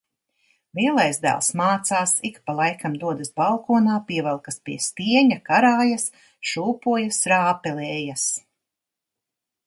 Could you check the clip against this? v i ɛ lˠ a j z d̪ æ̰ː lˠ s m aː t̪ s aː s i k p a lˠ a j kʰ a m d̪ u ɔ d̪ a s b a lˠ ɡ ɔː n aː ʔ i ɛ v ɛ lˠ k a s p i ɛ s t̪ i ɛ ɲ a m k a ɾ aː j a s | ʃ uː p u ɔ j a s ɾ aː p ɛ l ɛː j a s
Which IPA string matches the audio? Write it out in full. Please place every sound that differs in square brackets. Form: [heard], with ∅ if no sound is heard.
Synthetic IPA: v i ɛ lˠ a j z d̪ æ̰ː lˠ s m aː t̪ s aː s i k p a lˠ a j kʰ a m d̪ u ɔ d̪ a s b a lˠ [k] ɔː n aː [p] i ɛ v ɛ lˠ k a s p i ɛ s t̪ i ɛ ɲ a [∅] k a ɾ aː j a s | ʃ uː p u ɔ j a s ɾ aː p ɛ l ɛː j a s